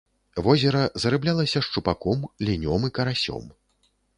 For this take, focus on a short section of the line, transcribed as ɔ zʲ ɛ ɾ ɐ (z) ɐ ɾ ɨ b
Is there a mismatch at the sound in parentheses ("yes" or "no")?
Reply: no